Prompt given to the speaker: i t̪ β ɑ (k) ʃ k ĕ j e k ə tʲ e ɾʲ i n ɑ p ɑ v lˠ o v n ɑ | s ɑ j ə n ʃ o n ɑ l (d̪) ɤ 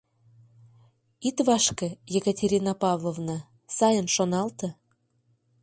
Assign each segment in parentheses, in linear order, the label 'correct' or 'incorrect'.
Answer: incorrect, incorrect

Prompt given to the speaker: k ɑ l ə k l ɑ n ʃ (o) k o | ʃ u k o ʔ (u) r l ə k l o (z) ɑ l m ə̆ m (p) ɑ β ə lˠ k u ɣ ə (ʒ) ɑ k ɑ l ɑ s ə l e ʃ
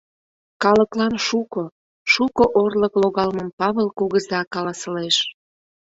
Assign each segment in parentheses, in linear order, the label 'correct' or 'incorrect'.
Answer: incorrect, incorrect, incorrect, correct, incorrect

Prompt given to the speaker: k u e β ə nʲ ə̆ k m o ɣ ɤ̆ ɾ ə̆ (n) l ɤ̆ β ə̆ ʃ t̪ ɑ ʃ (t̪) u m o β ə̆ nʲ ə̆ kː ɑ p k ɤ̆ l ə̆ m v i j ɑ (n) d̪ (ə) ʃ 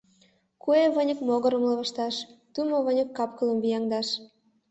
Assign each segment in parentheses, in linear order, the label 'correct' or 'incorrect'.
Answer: incorrect, correct, incorrect, incorrect

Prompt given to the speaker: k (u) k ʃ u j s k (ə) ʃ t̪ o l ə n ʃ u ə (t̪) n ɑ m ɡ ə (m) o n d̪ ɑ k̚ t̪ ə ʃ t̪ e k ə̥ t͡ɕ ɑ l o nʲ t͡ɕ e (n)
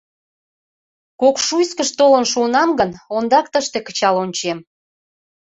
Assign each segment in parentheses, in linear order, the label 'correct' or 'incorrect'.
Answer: incorrect, correct, incorrect, incorrect, incorrect

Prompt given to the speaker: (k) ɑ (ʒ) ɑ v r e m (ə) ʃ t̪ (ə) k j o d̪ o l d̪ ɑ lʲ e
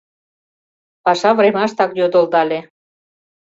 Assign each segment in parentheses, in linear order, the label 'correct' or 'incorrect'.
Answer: incorrect, incorrect, incorrect, incorrect

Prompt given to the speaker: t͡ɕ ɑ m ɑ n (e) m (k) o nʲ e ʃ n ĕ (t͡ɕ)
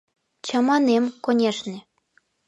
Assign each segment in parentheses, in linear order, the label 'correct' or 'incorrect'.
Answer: correct, correct, incorrect

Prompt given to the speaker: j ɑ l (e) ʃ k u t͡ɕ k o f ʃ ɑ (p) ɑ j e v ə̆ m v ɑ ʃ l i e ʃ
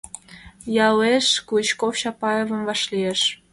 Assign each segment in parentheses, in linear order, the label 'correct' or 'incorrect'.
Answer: correct, correct

